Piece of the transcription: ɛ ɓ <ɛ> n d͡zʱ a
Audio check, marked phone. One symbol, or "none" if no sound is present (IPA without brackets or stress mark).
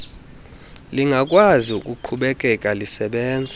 ɛː